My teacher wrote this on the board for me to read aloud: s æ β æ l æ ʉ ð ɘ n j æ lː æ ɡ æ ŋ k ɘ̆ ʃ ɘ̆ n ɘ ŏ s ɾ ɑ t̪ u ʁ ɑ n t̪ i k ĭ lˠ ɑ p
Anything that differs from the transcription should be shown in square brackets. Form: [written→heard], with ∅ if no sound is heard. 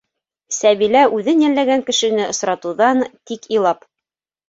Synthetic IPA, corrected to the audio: s æ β [æ→i] l æ ʉ ð ɘ n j æ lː æ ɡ æ ŋ k ɘ̆ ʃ ɘ̆ n ɘ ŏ s ɾ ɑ t̪ u [ʁ→ð] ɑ n t̪ i k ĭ lˠ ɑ p